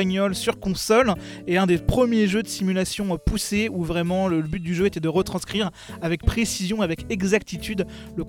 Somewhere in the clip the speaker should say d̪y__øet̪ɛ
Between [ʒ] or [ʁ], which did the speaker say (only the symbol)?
ʒ